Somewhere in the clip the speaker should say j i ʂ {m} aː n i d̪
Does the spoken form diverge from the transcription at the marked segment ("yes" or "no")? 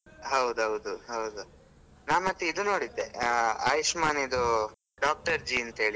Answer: no